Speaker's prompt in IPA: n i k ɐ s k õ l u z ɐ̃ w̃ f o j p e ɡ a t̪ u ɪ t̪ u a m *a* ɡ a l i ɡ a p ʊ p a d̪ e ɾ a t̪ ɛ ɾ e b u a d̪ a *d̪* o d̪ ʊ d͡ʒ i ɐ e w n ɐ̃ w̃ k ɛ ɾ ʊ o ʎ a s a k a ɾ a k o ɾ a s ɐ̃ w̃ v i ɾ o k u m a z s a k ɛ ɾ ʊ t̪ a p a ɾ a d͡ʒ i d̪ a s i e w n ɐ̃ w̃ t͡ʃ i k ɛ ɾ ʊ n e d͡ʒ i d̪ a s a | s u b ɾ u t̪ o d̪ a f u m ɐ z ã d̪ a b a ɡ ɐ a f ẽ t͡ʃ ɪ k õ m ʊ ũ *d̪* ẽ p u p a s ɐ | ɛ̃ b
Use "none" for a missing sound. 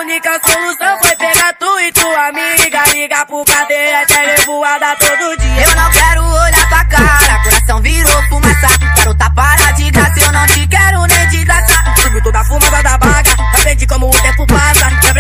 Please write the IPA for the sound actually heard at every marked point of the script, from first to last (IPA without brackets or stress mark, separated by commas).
i, t̪, t̪